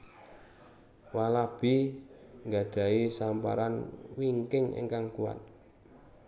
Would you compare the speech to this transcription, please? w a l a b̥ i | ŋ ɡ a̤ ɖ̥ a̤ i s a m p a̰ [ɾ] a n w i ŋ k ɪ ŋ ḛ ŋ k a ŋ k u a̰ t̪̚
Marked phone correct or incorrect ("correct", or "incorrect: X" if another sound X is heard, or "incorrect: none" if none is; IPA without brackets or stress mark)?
correct